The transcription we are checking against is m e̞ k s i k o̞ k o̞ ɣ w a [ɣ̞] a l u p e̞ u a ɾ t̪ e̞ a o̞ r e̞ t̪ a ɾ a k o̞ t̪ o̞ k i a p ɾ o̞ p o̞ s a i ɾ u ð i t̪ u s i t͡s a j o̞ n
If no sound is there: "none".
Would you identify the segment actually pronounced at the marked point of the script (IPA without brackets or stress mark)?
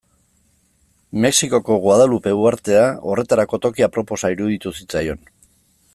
ð̞